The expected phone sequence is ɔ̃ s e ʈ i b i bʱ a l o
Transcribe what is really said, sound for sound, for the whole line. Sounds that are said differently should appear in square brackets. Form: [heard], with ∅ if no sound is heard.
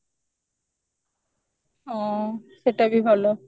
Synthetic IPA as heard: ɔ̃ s e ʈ [a] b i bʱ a l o